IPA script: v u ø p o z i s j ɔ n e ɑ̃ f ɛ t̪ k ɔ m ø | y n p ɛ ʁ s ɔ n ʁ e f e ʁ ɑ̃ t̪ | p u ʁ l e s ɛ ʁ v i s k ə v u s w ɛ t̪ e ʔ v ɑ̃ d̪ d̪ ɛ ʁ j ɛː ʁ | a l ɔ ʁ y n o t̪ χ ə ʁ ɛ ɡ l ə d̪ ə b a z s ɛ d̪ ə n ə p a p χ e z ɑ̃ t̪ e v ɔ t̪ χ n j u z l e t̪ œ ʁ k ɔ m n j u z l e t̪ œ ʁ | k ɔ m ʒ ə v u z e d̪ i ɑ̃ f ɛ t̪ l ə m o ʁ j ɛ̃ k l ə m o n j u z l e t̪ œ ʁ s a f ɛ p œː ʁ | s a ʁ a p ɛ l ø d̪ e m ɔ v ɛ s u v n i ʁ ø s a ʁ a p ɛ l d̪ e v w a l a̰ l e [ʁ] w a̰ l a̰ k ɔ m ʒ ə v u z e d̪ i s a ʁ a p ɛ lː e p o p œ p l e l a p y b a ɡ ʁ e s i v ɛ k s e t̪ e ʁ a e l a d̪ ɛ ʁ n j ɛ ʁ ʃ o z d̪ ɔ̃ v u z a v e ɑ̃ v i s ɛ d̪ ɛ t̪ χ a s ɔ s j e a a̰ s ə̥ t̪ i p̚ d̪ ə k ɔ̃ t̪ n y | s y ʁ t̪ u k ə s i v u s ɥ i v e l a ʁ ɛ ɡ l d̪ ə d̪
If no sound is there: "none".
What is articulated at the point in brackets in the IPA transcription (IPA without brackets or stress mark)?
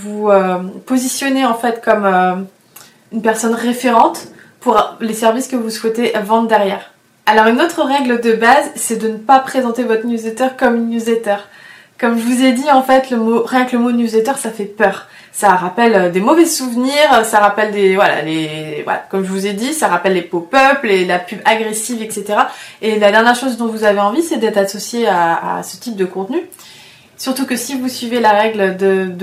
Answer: v